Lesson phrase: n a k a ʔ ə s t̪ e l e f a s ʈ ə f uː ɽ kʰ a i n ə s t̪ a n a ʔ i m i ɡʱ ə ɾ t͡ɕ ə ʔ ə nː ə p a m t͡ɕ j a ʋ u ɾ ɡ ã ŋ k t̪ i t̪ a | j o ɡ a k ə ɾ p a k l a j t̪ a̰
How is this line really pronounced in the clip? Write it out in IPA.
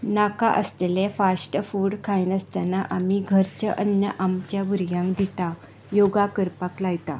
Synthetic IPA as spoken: n a k a ʔ ə s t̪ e l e f a s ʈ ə f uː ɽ kʰ a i n ə s t̪ a n a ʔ a m i ɡʱ ə ɾ t͡ɕ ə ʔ ə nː ə ʔ a m t͡ɕ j a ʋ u ɾ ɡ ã ŋ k d̪ i t̪ a | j o ɡ a k ə ɾ p a k l a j t̪ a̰